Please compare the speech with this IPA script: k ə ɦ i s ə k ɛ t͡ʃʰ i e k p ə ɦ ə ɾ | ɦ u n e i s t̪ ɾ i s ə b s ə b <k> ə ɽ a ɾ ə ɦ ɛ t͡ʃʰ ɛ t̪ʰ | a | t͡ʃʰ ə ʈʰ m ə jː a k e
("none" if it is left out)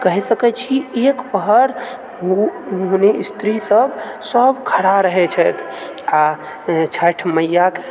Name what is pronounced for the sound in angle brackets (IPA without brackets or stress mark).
kʰ